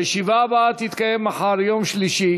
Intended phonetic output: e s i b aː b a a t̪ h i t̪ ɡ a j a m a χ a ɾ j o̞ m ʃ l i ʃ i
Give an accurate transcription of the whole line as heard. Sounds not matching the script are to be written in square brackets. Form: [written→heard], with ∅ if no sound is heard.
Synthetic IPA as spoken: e [s→ʃ] i [b→v] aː b a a t̪ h i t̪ [ɡ→k] a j [a→e] m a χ a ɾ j o̞ m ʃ l i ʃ i